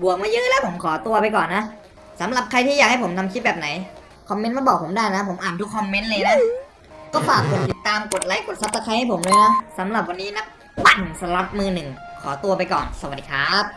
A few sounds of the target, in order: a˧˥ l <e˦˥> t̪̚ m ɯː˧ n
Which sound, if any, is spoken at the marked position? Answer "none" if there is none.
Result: a˦˥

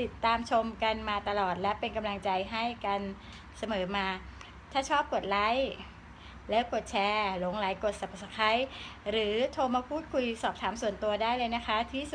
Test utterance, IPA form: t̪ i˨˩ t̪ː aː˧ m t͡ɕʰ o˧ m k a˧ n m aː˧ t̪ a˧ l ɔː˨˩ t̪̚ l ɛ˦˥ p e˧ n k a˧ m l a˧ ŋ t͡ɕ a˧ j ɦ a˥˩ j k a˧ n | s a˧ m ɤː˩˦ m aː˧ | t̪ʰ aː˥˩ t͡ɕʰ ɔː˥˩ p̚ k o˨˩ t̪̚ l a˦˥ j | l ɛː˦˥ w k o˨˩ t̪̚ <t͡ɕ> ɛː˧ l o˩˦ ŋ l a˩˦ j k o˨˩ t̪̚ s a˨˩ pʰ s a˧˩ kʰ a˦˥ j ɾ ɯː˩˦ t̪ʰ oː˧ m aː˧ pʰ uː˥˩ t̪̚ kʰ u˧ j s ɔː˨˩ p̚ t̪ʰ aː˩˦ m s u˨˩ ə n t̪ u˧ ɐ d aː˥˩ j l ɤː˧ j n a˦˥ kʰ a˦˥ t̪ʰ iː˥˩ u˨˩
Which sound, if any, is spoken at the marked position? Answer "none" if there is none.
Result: t͡ɕʰ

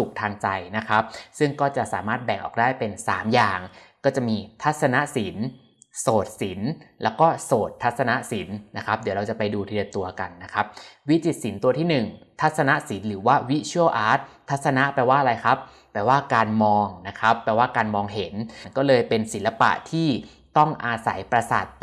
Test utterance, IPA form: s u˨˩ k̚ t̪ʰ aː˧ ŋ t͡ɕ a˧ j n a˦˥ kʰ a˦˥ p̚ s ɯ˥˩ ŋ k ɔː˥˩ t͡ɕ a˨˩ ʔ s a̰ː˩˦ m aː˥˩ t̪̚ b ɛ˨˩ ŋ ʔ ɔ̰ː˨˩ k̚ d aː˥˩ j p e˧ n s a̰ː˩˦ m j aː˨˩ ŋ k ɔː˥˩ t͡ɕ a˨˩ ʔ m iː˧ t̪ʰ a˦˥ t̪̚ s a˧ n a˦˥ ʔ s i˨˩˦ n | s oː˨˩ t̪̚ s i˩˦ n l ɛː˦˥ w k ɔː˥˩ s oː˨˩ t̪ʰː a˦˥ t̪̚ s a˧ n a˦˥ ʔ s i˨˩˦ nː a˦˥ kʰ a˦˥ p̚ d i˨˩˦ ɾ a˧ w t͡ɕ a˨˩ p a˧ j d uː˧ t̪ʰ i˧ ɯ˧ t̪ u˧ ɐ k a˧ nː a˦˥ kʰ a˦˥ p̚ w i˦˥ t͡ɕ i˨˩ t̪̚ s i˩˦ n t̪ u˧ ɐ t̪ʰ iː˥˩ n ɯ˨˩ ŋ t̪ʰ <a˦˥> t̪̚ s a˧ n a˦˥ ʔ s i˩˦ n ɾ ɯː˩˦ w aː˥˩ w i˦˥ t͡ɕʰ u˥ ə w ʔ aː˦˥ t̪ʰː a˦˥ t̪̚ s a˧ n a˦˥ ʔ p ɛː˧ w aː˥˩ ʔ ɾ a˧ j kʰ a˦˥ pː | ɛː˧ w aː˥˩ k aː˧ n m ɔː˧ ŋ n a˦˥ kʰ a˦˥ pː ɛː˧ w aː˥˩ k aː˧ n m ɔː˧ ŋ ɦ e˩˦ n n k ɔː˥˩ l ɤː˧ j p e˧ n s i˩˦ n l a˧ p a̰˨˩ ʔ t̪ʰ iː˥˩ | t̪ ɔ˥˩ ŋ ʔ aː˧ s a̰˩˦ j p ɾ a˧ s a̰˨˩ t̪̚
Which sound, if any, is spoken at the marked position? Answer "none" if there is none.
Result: a˦˥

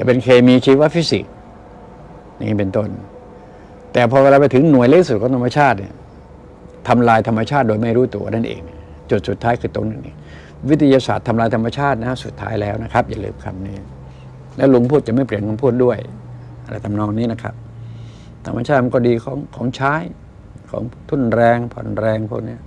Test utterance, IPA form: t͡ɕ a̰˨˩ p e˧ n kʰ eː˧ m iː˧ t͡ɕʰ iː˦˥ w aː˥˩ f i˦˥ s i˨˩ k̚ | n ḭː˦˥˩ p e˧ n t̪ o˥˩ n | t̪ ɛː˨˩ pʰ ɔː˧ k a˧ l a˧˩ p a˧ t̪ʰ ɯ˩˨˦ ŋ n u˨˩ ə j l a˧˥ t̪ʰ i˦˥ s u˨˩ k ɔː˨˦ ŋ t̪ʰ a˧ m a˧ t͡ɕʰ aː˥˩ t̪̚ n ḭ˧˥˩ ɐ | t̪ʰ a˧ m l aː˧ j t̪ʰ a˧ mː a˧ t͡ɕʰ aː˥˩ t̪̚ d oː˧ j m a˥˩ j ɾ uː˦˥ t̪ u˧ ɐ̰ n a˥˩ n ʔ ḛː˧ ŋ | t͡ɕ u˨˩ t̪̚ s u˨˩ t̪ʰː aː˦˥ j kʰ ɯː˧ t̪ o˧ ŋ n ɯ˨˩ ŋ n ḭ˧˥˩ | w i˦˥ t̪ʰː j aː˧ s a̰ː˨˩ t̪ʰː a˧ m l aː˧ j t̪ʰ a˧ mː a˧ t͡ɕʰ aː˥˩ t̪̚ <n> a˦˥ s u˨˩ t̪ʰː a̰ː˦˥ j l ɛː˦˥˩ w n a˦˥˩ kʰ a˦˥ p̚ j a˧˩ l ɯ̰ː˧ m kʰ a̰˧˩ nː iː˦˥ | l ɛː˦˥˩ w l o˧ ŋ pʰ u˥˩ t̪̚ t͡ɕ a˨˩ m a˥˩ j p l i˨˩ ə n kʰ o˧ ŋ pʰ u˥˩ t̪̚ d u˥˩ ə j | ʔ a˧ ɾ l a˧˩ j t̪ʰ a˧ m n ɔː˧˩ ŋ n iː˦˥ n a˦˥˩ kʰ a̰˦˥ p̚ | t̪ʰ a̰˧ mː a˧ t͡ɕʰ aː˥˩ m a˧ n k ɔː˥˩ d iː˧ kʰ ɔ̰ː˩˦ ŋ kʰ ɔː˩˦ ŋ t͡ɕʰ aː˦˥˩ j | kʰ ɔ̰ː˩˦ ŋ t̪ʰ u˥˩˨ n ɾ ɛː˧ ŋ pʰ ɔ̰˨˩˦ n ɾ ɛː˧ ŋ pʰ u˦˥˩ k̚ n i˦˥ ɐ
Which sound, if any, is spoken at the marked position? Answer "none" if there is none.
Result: n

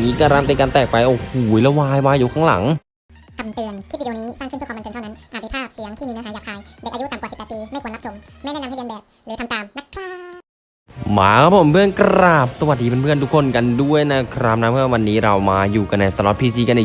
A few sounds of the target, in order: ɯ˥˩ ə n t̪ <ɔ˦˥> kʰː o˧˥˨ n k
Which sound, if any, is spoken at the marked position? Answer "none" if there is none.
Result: u˦˥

